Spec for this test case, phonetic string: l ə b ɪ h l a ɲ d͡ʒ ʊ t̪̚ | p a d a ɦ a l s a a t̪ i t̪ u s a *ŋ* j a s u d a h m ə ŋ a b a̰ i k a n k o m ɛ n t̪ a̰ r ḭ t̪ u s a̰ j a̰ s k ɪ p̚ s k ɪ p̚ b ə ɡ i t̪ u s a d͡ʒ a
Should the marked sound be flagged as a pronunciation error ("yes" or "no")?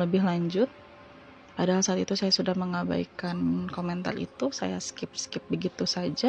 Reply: yes